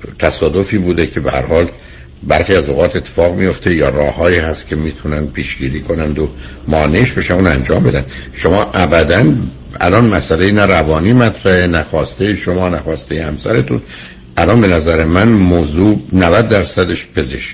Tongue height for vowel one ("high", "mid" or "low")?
low